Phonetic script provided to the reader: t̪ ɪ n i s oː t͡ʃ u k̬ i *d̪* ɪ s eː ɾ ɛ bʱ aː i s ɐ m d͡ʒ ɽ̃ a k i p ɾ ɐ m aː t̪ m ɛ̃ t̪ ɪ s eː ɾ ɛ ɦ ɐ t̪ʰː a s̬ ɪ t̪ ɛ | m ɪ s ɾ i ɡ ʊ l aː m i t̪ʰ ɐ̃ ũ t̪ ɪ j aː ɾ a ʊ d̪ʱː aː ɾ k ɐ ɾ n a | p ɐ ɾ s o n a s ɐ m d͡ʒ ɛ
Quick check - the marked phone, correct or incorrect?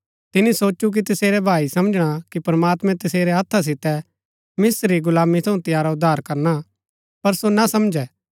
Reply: incorrect: t̪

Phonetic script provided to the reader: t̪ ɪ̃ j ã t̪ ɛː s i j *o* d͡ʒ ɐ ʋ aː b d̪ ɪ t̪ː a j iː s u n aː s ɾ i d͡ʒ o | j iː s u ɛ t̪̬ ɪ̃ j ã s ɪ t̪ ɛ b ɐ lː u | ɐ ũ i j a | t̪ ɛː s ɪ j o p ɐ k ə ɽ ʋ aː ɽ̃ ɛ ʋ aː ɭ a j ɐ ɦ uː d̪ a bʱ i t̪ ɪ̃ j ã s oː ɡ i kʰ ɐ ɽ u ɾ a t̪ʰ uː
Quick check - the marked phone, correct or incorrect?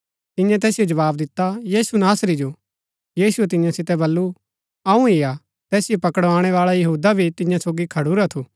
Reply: correct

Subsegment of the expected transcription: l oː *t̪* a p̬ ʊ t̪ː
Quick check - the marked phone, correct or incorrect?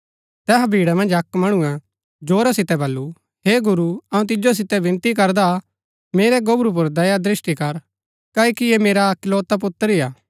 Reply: correct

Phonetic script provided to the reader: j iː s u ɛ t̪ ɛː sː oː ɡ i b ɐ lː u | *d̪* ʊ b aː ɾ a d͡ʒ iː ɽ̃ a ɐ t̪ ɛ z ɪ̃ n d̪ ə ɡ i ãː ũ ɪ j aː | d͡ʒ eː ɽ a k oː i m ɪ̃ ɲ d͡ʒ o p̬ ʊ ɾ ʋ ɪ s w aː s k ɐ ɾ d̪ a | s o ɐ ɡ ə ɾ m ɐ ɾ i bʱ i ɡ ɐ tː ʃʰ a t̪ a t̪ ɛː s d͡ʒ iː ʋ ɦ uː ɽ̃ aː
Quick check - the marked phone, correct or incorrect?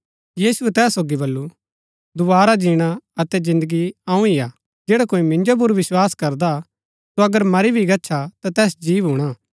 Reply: correct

